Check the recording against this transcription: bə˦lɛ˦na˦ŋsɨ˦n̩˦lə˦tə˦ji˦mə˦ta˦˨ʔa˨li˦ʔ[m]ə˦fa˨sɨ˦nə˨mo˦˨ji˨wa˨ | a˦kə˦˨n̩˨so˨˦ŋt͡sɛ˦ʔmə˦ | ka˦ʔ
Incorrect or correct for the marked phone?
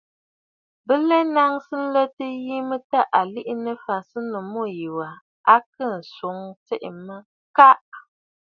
incorrect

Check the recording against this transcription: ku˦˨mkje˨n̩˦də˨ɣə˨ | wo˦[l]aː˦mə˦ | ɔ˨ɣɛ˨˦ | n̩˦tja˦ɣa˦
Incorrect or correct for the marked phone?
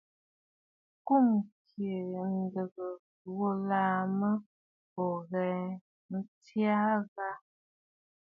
correct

